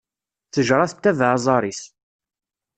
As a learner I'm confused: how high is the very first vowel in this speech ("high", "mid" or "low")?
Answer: mid